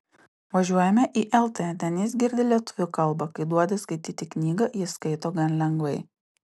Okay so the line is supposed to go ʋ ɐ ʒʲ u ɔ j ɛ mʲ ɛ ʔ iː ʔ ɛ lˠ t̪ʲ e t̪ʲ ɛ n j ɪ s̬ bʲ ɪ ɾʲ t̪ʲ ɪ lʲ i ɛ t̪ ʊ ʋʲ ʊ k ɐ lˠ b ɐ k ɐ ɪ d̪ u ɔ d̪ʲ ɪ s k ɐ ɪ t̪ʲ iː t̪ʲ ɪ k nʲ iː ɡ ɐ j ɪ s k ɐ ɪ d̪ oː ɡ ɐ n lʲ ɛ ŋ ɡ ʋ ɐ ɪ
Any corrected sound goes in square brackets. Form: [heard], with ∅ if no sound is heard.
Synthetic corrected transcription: ʋ ɐ ʒʲ u ɔ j ɛ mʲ ɛ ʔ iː ʔ ɛ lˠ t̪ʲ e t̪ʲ ɛ n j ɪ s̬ [ɡʲ] ɪ ɾʲ [d̪ʲ] ɪ lʲ i ɛ t̪ ʊ ʋʲ ʊ k ɐ lˠ b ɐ k ɐ ɪ d̪ u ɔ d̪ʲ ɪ s k ɐ ɪ t̪ʲ iː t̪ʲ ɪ k nʲ iː ɡ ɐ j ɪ s k ɐ ɪ [t̪] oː ɡ ɐ n lʲ ɛ ŋ ɡ ʋ ɐ ɪ